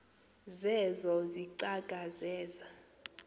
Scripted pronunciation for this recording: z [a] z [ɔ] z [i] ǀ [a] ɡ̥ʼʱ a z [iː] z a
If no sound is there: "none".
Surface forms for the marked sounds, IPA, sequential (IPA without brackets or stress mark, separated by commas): ɛ, ɔ, i, a, ɛː